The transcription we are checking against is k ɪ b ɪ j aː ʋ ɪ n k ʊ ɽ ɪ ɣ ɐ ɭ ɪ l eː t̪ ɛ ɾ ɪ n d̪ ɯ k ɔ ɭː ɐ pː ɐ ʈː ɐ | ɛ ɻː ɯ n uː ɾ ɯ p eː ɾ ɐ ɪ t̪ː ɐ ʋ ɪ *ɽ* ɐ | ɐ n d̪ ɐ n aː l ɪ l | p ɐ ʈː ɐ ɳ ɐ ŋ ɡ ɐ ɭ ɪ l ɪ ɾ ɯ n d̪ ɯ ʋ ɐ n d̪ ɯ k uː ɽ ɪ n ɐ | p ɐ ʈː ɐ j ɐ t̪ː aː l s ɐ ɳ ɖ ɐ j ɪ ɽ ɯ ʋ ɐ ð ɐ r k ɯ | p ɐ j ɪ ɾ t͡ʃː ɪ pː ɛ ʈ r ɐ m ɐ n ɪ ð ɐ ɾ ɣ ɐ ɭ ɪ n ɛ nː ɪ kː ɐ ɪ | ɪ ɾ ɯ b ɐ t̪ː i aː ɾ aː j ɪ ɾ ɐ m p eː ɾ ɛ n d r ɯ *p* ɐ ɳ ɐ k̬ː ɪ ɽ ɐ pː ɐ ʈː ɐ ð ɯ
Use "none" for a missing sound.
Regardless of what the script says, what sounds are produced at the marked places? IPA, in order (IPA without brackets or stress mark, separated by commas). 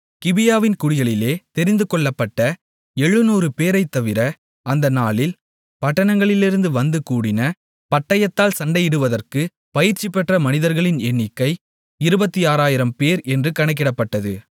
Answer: ɾ, k